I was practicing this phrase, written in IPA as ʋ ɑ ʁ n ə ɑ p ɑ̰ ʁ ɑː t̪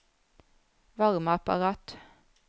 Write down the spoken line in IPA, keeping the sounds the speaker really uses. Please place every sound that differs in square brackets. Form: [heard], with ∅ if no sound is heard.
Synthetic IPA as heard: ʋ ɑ ʁ [m] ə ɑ p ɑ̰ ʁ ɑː t̪